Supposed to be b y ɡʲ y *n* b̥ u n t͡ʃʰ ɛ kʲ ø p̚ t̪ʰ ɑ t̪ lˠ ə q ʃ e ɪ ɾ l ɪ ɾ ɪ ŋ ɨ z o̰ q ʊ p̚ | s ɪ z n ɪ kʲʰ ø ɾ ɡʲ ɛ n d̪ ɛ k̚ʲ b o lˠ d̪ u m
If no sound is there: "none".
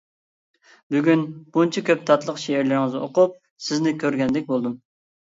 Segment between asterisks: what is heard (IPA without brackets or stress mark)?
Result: n